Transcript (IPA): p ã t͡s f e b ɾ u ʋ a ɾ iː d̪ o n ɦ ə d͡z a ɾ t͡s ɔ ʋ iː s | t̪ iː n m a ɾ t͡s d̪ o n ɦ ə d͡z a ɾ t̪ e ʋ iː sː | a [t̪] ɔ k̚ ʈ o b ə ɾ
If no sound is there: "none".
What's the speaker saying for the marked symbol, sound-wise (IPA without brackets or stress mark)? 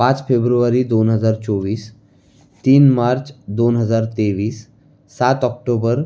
t̪